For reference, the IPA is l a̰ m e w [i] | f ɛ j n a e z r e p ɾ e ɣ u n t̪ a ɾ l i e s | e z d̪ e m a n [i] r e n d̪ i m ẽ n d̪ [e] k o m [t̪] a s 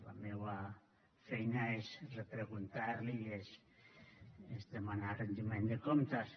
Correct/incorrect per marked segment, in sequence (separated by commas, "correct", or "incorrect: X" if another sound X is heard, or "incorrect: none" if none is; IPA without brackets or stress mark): incorrect: a, incorrect: a, correct, correct